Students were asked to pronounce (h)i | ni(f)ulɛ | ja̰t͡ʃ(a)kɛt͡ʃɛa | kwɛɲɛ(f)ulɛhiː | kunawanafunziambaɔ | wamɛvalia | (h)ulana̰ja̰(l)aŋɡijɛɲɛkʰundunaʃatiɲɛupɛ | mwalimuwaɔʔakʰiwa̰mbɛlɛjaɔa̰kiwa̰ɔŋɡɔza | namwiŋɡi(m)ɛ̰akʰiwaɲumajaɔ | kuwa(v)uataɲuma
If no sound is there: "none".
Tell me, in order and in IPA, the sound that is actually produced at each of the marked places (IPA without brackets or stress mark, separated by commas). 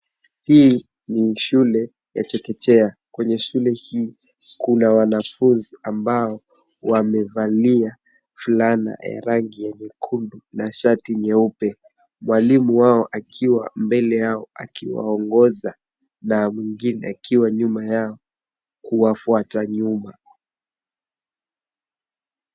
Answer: h, ʃ, ɛ, ʃ, f, ɾ, n, f